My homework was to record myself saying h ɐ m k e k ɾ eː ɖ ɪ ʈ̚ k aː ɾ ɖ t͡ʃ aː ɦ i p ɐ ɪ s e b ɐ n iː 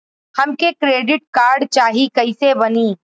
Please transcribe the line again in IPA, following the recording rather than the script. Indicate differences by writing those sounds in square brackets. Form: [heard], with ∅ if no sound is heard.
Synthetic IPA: h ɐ m k e k ɾ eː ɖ ɪ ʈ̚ k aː ɾ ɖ t͡ʃ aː ɦ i [k] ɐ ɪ s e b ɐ n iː